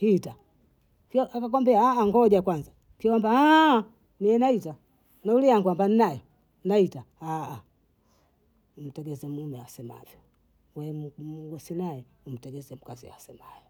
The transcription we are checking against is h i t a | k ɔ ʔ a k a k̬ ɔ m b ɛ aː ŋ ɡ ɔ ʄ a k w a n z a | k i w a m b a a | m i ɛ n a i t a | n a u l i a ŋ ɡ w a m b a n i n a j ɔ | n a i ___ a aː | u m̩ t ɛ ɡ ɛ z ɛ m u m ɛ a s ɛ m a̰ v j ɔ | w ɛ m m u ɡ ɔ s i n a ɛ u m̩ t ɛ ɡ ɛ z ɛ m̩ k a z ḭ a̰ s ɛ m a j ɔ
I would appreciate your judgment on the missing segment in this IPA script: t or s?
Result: t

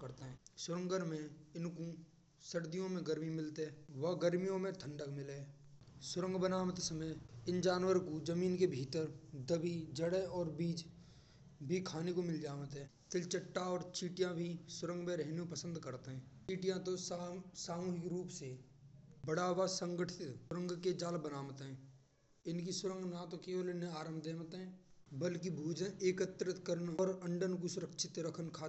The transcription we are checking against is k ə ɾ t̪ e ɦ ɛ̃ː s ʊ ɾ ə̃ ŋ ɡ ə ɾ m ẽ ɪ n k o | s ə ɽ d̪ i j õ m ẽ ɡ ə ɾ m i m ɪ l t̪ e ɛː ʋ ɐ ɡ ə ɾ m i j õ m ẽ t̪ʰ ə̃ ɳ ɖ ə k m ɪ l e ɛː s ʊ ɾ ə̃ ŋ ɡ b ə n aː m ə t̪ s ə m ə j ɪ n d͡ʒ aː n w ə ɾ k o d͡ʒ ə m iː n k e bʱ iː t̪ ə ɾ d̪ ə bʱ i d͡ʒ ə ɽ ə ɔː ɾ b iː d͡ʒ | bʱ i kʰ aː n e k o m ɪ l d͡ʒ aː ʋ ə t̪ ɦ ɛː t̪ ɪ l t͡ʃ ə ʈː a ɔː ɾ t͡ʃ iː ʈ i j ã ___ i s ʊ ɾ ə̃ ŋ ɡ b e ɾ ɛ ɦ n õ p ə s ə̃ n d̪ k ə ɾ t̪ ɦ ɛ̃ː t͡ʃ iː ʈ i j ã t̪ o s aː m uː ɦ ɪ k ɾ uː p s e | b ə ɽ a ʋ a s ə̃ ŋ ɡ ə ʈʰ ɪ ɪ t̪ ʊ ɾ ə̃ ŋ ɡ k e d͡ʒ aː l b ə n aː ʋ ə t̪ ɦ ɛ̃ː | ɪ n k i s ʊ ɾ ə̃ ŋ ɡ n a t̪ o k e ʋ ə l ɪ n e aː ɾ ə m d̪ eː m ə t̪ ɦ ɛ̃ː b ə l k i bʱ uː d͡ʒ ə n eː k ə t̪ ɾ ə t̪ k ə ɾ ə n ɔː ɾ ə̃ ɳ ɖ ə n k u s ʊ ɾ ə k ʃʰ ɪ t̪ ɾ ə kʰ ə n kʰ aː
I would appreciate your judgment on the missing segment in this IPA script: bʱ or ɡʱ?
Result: bʱ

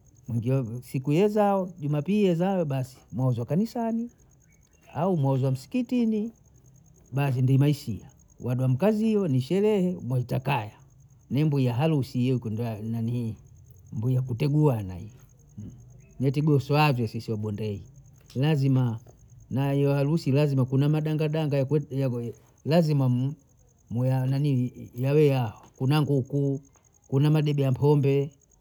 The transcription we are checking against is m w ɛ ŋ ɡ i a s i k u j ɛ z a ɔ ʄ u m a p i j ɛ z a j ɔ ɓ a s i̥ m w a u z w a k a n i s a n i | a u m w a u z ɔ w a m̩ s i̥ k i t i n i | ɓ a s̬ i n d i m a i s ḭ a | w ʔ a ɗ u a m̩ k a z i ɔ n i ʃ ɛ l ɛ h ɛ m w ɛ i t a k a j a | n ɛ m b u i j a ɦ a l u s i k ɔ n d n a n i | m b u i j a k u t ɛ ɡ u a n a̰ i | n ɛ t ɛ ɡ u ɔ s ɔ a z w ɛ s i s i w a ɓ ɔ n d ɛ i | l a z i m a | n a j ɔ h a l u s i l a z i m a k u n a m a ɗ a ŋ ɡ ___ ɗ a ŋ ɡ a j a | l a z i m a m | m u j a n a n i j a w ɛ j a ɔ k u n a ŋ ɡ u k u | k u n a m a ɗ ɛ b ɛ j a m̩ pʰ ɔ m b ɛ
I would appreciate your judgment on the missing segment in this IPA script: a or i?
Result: a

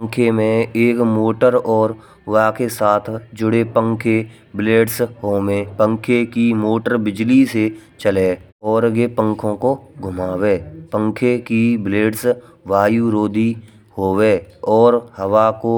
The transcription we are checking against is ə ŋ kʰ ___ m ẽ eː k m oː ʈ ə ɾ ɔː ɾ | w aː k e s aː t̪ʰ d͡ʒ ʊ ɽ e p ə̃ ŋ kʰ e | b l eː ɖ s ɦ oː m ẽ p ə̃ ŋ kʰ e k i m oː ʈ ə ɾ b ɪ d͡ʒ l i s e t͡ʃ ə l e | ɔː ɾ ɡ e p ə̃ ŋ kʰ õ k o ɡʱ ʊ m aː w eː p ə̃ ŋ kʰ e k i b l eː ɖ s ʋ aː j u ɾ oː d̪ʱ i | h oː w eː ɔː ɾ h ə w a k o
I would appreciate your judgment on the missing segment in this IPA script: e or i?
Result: e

